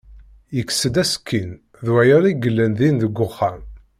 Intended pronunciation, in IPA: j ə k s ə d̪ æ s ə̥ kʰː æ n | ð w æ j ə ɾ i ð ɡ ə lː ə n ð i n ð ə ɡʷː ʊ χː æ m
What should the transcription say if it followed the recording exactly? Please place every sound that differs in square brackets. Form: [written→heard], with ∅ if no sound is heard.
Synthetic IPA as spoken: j ə k s ə d̪ æ s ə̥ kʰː [æ→i] n | ð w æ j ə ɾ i [ð→∅] ɡ ə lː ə n ð i n ð ə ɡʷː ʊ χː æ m